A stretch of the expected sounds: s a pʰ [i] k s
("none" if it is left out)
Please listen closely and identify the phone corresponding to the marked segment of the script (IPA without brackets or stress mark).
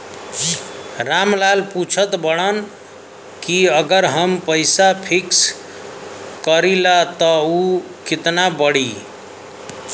i